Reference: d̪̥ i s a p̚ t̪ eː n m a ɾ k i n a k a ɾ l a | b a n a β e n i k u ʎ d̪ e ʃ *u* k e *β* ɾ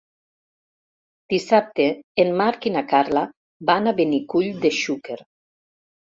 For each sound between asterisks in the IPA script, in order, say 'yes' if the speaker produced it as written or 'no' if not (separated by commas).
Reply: yes, no